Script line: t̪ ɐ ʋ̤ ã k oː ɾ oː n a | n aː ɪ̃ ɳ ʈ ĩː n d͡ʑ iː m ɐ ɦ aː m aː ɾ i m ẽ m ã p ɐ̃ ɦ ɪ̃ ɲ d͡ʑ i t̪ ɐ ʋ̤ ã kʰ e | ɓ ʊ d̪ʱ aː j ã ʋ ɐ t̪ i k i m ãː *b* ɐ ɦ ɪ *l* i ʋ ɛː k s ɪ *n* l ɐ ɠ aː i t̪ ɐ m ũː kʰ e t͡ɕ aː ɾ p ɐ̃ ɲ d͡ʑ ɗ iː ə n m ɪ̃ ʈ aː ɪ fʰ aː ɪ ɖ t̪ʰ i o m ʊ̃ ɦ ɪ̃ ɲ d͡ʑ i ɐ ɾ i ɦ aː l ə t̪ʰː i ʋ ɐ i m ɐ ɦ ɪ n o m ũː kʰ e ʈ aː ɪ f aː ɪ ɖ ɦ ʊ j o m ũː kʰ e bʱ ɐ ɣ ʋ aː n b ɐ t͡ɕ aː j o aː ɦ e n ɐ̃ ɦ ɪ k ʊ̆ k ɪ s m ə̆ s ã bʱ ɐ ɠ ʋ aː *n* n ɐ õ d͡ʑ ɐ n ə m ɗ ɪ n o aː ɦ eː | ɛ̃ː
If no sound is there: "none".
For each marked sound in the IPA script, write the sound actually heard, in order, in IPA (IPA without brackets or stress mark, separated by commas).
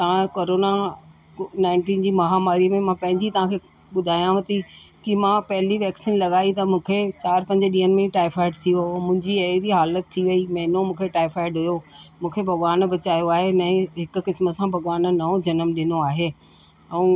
p, l, n, n